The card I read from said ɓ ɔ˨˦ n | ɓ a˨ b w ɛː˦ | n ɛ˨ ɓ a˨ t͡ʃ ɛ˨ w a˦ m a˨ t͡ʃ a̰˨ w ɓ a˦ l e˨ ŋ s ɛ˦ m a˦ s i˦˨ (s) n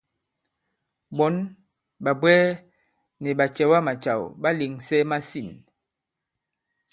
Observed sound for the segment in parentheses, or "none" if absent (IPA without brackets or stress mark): none